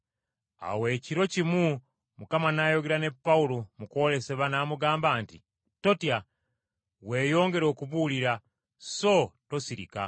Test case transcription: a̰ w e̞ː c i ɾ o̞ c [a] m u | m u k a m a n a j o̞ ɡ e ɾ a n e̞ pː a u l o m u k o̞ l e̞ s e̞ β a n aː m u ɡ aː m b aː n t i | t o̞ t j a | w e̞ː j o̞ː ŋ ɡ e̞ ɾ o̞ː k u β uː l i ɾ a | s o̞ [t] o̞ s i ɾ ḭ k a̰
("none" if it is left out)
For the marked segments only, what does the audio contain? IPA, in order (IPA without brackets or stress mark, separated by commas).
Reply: i, t